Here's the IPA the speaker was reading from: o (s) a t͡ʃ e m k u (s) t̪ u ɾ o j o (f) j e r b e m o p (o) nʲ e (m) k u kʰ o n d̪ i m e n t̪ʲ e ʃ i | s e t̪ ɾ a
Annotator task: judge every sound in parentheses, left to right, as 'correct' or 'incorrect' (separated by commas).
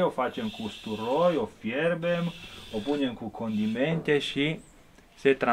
incorrect, correct, correct, incorrect, correct